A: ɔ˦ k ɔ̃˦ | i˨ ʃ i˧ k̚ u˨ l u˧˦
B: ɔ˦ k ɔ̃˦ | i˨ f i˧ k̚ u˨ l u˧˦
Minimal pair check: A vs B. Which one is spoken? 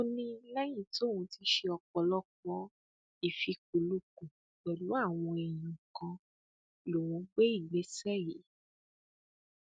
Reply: B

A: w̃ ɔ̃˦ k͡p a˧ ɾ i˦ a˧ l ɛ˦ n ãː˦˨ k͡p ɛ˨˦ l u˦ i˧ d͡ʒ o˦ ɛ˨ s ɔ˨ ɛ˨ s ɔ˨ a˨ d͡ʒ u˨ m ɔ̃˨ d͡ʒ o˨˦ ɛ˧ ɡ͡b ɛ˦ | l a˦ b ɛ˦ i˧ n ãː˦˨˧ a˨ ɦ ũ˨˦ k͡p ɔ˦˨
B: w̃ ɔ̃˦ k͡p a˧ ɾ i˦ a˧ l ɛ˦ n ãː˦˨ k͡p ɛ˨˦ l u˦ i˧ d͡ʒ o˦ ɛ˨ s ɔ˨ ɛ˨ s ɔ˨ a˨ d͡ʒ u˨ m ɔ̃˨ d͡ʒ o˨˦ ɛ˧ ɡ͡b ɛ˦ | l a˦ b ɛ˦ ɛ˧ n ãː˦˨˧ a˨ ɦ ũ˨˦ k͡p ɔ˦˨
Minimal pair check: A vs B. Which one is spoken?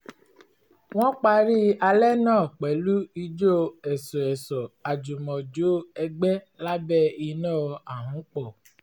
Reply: A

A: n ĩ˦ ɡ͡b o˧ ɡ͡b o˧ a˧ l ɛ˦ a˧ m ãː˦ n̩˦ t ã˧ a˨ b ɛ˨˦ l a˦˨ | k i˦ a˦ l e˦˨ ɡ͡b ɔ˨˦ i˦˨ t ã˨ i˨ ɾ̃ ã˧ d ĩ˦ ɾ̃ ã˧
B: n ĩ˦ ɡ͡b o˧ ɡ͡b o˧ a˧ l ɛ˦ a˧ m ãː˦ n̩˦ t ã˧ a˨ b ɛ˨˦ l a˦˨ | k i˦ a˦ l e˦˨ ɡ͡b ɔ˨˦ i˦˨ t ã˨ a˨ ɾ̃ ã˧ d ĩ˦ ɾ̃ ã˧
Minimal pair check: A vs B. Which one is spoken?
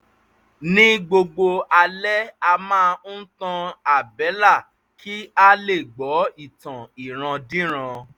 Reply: A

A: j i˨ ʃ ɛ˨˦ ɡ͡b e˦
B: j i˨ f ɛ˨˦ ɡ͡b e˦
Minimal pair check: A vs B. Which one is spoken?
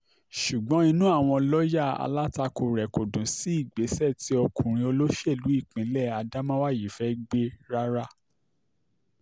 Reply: B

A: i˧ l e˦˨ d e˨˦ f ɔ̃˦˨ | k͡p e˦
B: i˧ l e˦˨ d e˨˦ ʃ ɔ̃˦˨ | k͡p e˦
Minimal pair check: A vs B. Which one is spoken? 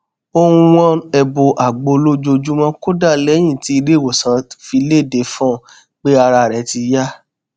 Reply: A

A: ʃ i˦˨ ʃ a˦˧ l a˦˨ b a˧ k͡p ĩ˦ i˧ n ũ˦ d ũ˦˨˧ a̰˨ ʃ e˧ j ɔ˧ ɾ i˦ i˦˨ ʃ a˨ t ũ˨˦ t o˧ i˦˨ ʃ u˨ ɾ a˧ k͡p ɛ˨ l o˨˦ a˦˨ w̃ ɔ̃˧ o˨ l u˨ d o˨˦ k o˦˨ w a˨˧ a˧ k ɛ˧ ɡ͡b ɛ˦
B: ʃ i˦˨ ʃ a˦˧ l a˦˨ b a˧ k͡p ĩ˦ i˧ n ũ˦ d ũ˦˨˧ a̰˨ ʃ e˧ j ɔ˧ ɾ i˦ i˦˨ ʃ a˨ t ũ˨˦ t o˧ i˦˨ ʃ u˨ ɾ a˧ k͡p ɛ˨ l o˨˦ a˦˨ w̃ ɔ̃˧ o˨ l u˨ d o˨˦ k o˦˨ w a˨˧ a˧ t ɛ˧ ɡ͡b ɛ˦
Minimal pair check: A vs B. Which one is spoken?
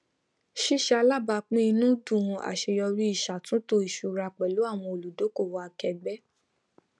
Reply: A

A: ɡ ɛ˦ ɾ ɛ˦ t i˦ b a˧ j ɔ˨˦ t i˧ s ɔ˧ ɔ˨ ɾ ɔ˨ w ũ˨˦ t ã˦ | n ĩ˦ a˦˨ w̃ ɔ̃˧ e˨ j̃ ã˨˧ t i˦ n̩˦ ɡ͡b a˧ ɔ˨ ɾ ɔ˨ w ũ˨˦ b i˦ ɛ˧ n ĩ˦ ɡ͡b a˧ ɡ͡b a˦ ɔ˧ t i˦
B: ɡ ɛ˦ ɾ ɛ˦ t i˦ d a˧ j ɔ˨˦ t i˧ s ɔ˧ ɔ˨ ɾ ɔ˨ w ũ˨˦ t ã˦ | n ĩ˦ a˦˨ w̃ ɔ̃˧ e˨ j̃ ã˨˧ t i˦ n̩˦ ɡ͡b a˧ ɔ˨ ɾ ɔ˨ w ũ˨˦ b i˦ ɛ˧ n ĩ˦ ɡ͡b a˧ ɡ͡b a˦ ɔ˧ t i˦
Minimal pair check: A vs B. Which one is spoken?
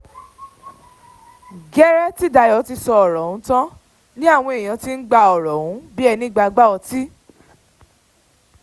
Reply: B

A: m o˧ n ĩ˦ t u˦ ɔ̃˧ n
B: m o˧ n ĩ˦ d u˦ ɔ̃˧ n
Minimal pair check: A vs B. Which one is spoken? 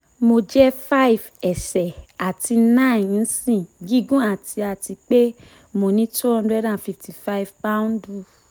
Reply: A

